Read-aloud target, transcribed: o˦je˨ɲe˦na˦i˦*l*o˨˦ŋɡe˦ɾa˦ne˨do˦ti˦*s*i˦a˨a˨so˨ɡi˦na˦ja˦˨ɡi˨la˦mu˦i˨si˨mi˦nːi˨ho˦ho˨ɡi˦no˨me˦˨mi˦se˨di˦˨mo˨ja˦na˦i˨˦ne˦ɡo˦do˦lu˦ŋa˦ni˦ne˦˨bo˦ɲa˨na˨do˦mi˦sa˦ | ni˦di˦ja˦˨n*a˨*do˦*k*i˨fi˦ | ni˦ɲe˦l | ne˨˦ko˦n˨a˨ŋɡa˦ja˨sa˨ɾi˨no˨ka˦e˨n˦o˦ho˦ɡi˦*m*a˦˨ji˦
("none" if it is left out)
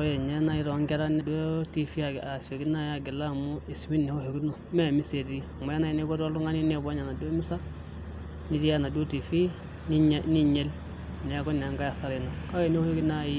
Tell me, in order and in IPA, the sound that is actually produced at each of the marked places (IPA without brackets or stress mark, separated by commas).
ɾ, f, a˨, t, n